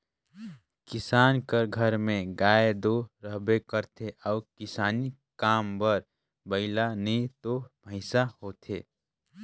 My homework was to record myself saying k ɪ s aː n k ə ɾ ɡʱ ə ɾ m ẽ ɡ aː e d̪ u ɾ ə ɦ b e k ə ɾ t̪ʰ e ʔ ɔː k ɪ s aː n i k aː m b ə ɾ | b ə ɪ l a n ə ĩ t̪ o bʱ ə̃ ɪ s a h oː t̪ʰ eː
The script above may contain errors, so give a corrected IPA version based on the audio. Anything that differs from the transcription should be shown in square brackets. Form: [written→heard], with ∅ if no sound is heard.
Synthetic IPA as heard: k ɪ s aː n k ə ɾ ɡʱ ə ɾ m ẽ ɡ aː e d̪ [u→o] ɾ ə ɦ b e k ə ɾ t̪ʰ e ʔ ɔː k ɪ s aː n i k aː m b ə ɾ | b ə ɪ l a n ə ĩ t̪ o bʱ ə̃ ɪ s a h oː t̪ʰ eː